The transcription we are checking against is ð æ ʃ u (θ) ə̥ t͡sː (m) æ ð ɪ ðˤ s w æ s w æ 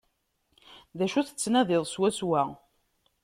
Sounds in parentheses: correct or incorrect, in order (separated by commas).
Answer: correct, incorrect